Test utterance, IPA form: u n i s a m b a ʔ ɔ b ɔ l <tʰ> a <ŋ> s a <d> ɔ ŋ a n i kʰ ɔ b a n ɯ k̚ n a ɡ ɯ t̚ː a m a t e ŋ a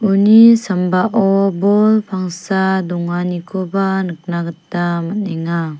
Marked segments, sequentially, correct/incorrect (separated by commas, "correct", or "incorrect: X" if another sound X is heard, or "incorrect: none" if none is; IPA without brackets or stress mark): incorrect: pʰ, correct, correct